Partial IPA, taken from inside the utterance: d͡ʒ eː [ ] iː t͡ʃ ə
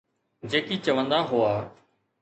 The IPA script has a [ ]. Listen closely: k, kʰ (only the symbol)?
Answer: k